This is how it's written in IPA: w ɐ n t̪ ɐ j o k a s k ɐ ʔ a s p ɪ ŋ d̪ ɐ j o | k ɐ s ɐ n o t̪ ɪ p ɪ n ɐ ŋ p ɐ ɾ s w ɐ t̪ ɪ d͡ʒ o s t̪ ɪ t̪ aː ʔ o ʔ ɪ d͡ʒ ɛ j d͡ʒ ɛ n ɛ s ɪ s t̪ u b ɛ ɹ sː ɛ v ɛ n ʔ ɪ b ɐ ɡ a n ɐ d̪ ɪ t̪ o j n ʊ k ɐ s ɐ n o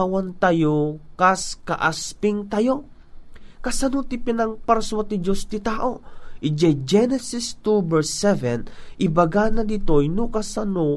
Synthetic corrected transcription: w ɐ n t̪ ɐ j o k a s k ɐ ʔ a s p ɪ ŋ t̪ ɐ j o | k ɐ s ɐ n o t̪ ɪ p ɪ n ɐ ŋ p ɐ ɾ s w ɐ t̪ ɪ d͡ʒ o s t̪ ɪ t̪ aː ʔ o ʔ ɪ d͡ʒ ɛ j d͡ʒ ɛ n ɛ s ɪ s t̪ u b ɛ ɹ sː ɛ v ɛ n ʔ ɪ b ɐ ɡ a n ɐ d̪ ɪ t̪ o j n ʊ k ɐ s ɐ n o